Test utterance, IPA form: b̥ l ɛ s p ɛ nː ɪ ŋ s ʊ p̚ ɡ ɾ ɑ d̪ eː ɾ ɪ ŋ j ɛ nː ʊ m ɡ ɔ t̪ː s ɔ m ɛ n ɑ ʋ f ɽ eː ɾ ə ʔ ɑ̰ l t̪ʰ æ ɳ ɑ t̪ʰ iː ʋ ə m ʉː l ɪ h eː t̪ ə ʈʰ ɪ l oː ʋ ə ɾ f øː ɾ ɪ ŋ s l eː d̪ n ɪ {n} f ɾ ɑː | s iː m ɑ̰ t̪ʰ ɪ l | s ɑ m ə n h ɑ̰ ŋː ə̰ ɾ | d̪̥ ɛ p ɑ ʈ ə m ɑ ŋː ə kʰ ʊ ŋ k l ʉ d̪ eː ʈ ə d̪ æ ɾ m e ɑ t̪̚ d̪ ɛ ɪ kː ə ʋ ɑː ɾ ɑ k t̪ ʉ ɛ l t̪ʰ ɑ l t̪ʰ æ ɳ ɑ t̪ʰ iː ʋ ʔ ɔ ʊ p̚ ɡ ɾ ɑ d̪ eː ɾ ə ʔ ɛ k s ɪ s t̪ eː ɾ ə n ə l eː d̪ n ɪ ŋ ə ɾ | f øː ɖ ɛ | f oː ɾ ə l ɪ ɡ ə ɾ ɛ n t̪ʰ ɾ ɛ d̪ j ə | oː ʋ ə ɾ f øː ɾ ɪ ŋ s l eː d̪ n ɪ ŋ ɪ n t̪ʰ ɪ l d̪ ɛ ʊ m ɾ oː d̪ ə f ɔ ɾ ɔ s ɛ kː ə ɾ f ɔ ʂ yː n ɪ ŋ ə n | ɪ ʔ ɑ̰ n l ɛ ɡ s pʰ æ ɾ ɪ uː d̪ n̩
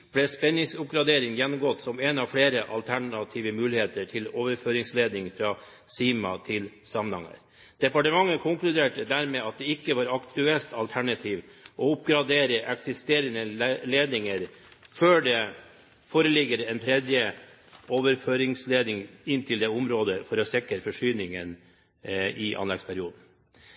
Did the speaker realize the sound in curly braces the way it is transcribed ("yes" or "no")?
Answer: no